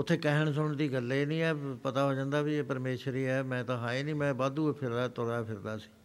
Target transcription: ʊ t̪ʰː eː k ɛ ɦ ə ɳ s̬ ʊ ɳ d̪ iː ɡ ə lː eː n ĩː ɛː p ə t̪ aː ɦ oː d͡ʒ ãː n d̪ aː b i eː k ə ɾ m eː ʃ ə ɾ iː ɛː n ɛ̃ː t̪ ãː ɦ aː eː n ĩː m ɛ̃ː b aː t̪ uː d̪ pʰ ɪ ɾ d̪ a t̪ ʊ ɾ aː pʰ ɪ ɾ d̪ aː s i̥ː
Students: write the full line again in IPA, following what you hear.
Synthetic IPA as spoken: ʊ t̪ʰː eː k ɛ ɦ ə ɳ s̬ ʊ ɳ d̪ iː ɡ ə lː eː n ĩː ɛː p ə t̪ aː ɦ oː d͡ʒ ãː n d̪ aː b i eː p ə ɾ m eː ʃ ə ɾ iː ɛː m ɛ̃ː t̪ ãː ɦ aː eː n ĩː m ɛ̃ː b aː d̪ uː pʰ ɪ ɾ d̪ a t̪ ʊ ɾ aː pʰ ɪ ɾ d̪ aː s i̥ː